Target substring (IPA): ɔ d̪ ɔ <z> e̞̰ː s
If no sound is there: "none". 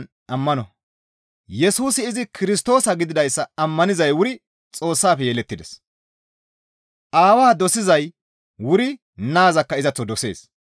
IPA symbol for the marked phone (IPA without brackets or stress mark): s